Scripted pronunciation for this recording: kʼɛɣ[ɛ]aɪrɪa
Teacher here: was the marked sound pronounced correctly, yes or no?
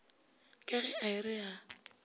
yes